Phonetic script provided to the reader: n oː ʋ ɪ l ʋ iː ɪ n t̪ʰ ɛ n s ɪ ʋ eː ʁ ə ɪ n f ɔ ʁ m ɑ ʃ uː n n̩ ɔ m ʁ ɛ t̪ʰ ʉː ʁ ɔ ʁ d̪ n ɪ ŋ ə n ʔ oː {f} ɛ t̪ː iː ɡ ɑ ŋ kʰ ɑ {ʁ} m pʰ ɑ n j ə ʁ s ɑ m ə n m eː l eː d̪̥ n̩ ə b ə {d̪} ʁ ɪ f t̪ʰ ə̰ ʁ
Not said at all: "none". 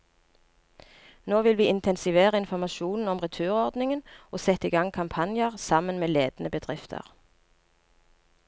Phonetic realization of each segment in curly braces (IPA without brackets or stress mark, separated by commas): s, none, d̪